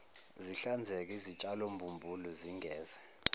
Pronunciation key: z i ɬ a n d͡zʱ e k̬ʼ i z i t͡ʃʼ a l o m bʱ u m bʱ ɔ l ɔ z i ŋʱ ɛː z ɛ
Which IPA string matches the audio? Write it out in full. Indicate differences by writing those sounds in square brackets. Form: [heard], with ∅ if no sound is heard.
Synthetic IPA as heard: z i ɬ a n d͡zʱ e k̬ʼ i z i t͡ʃʼ a l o m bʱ u m bʱ [u] l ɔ z i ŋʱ ɛː z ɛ